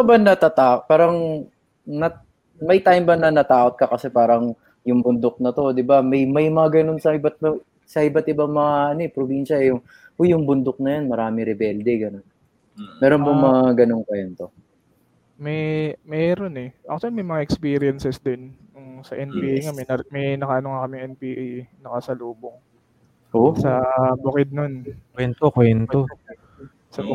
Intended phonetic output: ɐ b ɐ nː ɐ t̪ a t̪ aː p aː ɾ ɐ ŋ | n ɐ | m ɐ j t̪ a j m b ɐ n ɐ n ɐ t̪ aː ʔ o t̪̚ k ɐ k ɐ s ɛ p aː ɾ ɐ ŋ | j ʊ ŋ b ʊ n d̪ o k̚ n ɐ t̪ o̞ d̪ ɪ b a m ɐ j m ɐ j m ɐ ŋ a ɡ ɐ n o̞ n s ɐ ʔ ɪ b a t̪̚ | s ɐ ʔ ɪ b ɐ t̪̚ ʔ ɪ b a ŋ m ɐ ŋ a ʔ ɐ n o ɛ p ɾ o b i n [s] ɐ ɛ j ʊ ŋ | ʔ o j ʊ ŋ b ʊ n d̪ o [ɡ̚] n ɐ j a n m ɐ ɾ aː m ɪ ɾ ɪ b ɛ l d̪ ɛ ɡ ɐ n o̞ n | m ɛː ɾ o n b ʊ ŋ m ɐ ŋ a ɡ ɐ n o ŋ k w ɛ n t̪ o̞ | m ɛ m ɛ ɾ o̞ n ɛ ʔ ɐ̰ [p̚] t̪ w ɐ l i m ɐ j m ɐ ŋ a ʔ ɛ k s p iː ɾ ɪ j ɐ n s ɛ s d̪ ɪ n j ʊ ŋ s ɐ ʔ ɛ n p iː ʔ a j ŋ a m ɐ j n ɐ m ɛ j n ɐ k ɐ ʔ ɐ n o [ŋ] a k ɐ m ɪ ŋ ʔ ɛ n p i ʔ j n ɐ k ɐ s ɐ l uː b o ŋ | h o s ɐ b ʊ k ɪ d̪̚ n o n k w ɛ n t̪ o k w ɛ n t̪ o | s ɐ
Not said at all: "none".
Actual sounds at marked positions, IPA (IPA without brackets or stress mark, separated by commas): ʃ, k̚, k̚, ŋ